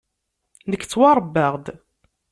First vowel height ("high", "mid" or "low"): mid